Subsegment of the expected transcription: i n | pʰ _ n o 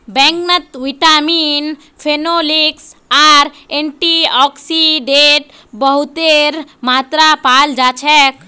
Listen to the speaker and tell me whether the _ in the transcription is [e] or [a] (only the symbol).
e